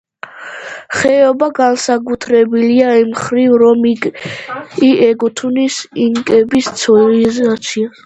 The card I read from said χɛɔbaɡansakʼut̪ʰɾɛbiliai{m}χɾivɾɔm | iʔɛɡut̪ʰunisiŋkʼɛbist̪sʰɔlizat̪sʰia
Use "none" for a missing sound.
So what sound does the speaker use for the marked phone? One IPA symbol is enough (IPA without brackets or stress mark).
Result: m